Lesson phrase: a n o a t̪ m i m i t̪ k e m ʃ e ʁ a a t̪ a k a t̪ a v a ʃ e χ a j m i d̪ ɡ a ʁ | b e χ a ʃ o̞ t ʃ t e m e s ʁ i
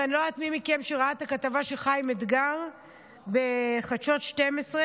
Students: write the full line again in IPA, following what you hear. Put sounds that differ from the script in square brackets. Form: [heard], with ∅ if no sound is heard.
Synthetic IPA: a n o a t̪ m i m i [∅] k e m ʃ e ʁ a a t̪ a k a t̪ a v a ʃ e χ a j m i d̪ ɡ a ʁ | b e χ a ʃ o̞ t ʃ t e m e s ʁ [e]